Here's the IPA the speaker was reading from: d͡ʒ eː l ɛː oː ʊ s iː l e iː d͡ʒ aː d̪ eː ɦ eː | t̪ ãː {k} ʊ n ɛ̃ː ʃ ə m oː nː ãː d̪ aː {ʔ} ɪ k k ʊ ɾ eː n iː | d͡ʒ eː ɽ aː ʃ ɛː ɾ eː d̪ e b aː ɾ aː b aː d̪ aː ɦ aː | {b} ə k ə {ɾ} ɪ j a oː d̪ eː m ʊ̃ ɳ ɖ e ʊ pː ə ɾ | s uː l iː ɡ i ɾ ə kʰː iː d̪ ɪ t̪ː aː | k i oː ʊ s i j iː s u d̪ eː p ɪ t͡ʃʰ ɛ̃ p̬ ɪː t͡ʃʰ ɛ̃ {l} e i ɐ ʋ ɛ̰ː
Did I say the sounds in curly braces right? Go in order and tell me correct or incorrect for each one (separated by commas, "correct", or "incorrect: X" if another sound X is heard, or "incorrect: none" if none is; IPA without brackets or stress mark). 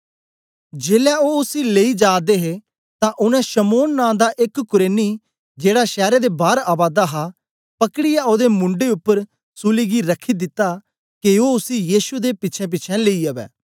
incorrect: ʔ, correct, incorrect: p, incorrect: ɽ, correct